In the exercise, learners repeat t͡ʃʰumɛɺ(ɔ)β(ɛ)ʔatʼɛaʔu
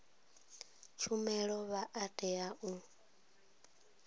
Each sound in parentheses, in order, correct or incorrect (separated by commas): correct, incorrect